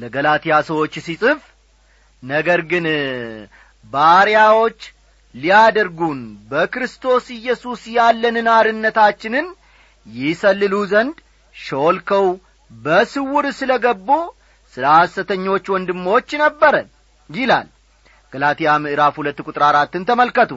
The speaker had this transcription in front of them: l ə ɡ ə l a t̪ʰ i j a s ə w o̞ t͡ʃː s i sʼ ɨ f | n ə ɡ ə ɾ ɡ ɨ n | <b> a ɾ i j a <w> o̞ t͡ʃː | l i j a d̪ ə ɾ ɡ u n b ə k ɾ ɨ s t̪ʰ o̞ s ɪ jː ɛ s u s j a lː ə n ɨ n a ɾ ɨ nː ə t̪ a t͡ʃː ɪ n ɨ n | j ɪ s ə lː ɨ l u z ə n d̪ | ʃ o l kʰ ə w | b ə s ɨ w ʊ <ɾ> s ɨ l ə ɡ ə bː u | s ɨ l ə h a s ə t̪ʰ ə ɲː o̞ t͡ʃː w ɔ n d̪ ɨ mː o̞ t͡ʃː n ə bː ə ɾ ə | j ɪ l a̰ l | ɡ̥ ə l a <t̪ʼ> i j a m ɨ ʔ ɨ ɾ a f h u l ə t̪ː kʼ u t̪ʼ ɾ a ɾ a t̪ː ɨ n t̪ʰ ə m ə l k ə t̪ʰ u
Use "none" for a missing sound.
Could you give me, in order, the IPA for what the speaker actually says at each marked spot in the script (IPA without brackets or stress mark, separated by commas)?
b, w, ɾ, t̪